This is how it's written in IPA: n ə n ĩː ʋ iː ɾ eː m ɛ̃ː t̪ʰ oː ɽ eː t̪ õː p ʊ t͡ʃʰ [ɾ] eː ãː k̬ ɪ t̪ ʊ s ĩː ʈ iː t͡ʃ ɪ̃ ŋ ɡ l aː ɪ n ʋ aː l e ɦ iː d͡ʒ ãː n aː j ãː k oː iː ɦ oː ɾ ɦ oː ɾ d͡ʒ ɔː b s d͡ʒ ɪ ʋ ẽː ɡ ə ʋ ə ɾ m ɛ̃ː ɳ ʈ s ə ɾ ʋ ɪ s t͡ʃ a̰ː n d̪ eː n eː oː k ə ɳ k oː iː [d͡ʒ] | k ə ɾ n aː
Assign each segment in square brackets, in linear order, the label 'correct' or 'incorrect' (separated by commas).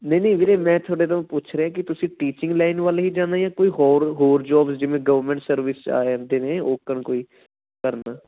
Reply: correct, incorrect